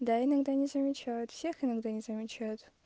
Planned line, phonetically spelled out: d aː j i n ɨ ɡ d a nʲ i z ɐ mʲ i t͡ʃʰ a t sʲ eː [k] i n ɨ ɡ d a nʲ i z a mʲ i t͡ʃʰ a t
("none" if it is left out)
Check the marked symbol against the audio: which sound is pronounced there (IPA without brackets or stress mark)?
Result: x